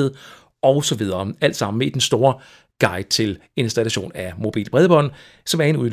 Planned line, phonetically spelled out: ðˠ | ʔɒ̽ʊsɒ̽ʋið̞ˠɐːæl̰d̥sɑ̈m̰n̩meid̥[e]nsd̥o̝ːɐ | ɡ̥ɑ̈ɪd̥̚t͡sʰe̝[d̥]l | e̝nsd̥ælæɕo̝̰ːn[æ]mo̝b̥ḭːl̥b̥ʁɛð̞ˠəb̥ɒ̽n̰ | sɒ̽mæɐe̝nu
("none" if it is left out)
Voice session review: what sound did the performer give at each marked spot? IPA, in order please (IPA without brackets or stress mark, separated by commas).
e, none, æ